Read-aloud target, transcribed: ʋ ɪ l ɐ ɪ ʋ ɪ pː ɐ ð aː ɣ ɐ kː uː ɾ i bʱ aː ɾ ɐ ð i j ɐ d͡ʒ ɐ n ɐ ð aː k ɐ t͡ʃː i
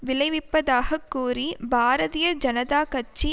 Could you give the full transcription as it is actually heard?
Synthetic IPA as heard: ʋ ɪ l ɐ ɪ ʋ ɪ pː ɐ ð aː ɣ ɐ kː uː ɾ i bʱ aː ɾ ɐ ð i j ɐ d͡ʒ ɐ n ɐ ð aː k ɐ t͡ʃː i